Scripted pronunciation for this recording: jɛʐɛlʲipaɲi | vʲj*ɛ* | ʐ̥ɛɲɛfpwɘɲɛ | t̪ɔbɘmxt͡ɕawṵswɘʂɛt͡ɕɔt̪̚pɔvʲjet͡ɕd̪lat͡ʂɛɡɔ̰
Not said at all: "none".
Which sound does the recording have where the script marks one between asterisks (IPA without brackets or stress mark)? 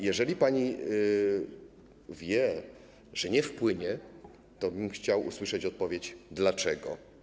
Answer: ɛ